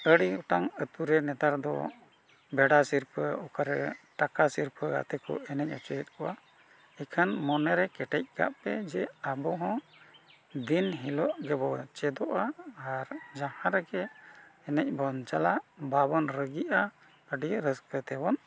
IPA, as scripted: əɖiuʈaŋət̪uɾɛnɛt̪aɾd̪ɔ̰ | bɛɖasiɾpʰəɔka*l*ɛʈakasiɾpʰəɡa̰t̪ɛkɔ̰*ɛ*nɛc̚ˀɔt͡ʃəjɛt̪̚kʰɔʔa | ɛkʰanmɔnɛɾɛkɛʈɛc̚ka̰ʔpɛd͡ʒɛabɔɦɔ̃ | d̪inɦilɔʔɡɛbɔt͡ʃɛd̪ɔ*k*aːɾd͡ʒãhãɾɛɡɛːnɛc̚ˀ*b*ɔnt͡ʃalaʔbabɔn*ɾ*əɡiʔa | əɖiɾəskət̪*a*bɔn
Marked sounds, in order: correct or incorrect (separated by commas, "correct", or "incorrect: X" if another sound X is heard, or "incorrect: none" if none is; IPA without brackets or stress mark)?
incorrect: ɾ, correct, incorrect: ʔ, correct, correct, incorrect: ɛ